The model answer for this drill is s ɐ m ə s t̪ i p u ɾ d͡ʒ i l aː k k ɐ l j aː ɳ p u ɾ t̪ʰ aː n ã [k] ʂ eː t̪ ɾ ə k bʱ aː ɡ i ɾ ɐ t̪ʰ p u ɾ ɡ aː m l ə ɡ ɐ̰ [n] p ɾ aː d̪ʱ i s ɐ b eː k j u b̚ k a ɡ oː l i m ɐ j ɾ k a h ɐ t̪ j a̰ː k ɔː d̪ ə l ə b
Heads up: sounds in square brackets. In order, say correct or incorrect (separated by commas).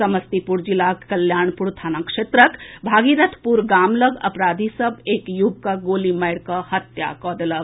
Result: correct, incorrect